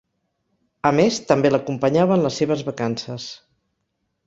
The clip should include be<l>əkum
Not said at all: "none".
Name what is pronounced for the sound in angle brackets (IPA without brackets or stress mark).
l